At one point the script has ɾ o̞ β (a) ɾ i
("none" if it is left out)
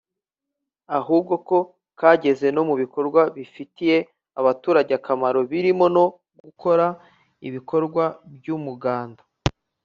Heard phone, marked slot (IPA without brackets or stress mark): i